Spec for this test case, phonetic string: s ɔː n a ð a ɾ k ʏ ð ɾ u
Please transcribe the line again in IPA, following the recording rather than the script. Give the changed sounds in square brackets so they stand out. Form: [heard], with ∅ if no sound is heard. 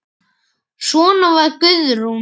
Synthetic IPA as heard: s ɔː n a [v] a ɾ k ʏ ð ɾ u